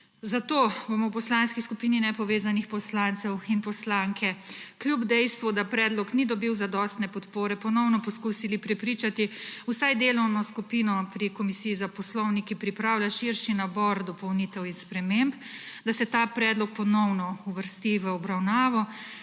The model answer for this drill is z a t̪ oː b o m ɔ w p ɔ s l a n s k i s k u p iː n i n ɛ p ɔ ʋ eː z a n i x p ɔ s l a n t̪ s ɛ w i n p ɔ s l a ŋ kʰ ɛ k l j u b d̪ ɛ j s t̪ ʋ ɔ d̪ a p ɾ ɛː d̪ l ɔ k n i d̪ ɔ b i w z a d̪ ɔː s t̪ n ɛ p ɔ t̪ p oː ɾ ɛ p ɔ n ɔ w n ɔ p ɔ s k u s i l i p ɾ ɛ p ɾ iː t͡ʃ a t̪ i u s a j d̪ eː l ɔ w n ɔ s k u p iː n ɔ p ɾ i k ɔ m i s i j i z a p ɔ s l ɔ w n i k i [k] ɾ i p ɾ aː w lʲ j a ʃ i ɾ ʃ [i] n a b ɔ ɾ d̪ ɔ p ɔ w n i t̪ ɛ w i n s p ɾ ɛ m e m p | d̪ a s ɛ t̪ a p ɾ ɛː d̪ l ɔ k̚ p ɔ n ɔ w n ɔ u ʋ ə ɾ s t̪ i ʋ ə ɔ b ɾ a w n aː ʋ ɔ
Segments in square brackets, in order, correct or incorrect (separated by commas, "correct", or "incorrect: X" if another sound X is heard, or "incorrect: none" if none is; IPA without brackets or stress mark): incorrect: p, correct